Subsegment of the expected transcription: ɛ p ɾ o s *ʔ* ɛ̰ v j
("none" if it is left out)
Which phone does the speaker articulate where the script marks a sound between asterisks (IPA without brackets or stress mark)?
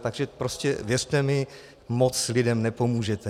c